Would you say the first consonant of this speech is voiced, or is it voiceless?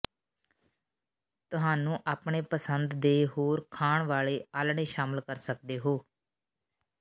voiceless